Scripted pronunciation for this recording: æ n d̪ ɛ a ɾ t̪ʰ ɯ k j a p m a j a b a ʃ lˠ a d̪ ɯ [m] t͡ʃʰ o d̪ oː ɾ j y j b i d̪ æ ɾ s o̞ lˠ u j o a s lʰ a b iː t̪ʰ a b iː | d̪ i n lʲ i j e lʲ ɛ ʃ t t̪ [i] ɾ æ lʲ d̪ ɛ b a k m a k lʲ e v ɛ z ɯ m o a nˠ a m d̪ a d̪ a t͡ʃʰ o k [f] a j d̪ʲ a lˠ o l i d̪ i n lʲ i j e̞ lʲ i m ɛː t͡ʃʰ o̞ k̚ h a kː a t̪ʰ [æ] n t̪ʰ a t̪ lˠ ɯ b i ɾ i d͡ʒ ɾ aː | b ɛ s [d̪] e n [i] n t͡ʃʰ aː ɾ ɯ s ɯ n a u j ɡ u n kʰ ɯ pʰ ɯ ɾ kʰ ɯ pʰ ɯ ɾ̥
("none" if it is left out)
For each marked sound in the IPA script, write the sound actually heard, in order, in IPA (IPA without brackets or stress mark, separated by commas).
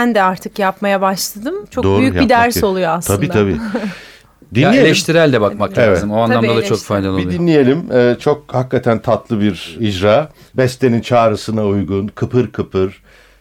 m, i, f, æ, t̪, i